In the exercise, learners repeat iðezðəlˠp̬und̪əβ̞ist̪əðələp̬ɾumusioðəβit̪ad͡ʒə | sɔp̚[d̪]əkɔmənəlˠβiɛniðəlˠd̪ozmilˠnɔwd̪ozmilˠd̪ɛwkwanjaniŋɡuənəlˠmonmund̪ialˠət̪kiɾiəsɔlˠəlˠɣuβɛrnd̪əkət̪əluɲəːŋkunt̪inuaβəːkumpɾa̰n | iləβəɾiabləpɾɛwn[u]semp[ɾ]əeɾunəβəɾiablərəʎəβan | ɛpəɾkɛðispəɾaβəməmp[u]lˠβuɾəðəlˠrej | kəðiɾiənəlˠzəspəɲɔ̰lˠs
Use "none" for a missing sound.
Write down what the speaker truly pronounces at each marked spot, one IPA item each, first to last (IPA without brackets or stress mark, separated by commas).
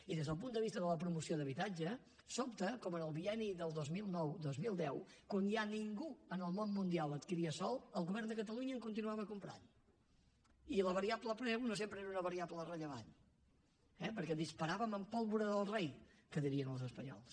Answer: t̪, o, ɾ, ɔ